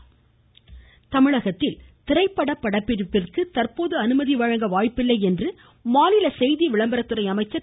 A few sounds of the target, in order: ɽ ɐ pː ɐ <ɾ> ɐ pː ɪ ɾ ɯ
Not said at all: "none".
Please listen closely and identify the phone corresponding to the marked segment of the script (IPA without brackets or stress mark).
ɽ